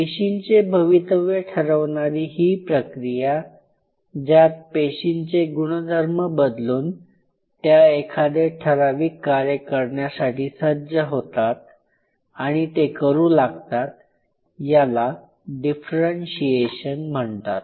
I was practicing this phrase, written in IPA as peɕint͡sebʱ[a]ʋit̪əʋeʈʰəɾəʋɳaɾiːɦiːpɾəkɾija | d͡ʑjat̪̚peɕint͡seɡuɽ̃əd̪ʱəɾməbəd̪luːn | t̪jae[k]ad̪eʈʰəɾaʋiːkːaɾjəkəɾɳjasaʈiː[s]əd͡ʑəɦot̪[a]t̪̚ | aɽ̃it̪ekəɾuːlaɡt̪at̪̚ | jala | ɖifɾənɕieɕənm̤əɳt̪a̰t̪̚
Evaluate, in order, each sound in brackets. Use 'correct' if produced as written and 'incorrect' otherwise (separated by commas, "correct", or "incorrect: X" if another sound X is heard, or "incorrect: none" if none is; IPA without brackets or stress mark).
incorrect: ə, incorrect: kʰ, correct, correct